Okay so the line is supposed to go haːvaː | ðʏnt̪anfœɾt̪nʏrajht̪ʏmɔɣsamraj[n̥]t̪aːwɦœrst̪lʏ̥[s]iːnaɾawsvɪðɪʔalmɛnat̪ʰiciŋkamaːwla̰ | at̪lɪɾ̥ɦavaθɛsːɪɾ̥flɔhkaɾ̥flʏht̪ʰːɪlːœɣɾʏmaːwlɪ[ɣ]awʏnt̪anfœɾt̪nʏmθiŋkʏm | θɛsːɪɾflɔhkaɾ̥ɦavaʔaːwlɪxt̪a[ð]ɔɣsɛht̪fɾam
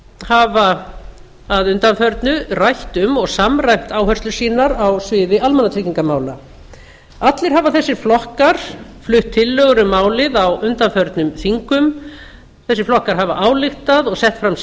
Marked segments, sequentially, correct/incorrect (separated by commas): incorrect, correct, incorrect, correct